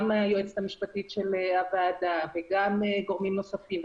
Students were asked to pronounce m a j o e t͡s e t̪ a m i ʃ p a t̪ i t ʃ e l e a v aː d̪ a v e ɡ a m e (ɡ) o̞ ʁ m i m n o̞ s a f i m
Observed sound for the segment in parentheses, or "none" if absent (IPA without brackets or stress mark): ɡ